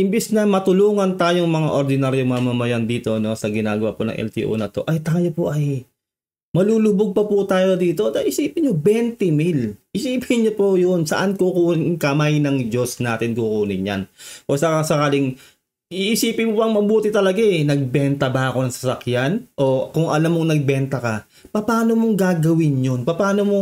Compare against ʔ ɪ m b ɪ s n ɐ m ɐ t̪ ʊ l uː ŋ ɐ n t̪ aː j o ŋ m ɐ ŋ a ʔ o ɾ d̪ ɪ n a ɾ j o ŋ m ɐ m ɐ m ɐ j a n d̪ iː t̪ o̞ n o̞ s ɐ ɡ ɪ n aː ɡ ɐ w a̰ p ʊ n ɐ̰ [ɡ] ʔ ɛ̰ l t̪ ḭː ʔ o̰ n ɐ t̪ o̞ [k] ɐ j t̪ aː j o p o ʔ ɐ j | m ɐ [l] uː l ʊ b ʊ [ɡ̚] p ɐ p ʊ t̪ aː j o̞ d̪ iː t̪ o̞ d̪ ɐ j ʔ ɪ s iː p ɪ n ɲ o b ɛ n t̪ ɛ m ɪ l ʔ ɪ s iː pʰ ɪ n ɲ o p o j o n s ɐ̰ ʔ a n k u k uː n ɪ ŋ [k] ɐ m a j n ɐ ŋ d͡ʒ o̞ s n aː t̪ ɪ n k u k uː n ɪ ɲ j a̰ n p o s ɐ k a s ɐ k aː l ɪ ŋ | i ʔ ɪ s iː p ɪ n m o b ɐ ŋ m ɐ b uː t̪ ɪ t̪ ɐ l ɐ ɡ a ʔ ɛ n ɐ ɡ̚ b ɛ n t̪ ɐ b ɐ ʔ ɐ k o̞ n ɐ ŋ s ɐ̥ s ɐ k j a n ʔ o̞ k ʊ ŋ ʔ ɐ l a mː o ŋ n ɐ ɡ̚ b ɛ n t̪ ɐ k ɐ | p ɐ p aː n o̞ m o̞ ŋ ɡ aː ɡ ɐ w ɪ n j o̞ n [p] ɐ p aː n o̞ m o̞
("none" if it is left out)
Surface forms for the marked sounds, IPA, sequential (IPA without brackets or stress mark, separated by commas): ŋ, ʔ, l, ɡ̚, k, p